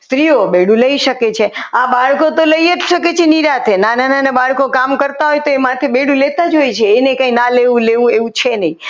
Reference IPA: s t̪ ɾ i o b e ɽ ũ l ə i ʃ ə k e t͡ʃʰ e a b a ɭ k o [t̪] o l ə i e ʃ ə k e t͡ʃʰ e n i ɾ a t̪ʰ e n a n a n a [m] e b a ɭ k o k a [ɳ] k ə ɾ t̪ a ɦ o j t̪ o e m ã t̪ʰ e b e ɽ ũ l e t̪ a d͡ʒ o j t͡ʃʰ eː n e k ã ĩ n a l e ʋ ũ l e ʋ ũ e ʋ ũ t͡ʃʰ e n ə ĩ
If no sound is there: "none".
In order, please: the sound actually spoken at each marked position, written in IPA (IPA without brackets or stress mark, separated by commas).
t̪, n, m